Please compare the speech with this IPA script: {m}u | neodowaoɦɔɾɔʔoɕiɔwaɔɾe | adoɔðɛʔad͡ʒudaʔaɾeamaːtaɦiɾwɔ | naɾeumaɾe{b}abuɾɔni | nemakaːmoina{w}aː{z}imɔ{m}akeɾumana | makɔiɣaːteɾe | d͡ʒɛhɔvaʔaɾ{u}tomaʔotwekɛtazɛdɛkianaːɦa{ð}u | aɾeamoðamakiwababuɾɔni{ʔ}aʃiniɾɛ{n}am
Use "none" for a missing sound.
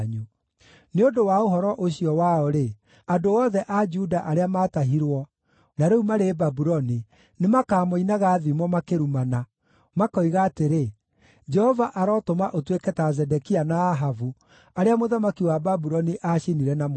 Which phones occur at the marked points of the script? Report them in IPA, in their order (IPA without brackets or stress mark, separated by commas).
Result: ɲ, b, ɣ, ð, m, ɔ, v, ʔ, n